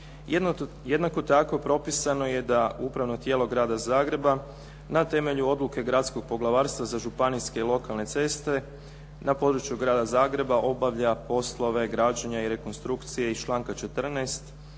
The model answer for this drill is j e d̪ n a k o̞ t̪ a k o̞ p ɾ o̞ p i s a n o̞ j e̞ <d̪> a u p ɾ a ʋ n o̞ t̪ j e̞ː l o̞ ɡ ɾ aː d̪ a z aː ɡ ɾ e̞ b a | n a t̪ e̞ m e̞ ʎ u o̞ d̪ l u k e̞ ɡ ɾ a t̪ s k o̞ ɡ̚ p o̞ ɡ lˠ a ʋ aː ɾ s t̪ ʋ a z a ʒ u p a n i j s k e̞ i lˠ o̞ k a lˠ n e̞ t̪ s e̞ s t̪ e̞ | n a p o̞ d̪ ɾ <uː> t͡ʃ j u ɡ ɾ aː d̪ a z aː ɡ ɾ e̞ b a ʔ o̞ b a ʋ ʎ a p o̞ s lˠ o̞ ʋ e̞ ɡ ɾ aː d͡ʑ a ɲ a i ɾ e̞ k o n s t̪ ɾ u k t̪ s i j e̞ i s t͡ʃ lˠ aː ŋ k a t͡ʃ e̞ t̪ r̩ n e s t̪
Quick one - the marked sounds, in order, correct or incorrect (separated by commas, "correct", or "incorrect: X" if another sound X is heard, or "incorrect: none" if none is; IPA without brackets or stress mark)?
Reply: correct, incorrect: u